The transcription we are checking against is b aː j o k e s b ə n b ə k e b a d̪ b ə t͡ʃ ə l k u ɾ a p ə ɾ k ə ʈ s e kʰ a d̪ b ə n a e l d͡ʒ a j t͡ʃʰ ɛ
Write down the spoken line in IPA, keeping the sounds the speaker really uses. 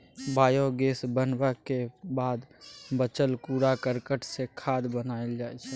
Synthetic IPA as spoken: b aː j o ɡ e s b ə n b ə k e b a d̪ b ə t͡ʃ ə l k u ɾ a k ə ɾ k ə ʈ s e kʰ a d̪ b ə n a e l d͡ʒ a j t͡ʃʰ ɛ